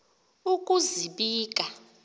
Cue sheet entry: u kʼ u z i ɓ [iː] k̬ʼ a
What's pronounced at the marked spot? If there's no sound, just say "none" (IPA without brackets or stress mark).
iː